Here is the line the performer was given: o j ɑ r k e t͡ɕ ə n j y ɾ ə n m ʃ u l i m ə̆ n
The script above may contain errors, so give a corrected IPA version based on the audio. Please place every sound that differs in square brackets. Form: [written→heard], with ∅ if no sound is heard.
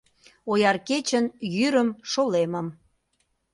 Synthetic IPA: o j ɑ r k e t͡ɕ ə n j y ɾ ə [n→∅] m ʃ [u→o] l [i→e] m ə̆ [n→m]